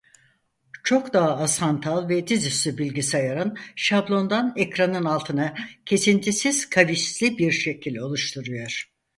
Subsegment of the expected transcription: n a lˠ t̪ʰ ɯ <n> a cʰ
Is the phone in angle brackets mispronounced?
no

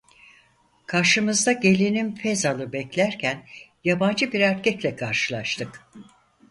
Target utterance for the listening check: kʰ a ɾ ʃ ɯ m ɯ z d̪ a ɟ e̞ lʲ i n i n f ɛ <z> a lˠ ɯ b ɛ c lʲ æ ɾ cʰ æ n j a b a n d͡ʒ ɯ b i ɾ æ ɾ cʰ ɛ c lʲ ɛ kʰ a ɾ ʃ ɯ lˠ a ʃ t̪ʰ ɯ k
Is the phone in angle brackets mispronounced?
no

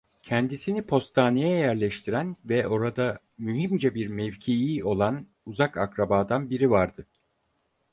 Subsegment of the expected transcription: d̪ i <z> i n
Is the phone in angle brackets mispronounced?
yes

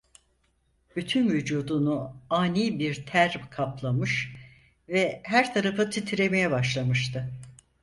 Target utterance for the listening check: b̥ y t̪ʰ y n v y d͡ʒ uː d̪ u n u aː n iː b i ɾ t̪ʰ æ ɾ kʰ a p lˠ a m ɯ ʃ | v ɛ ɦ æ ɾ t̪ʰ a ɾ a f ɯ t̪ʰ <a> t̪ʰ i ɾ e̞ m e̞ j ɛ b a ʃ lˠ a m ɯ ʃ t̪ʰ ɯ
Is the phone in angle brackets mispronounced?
yes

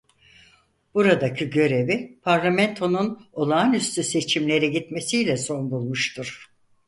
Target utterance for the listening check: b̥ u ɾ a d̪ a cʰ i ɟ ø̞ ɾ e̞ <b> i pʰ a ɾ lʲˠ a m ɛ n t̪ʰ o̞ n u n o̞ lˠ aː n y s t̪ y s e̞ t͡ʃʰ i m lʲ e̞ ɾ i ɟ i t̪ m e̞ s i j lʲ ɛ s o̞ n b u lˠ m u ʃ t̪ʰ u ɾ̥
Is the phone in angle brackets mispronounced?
yes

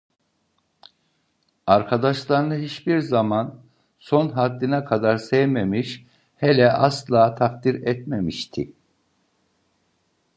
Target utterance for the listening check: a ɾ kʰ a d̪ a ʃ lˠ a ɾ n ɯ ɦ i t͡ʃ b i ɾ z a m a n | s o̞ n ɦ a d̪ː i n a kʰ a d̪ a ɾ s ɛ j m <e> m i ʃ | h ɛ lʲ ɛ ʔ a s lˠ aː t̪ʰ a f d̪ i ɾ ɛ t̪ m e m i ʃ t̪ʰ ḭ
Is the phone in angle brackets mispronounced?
no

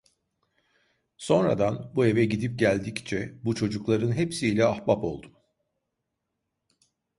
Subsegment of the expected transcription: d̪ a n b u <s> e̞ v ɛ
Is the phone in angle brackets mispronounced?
yes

